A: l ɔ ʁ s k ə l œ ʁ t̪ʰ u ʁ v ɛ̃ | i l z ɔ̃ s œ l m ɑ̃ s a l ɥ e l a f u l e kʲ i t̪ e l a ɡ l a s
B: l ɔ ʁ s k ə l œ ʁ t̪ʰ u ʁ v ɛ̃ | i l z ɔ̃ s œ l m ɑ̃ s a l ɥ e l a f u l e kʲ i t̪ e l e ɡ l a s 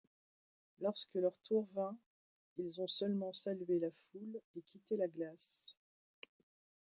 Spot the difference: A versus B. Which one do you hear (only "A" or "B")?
A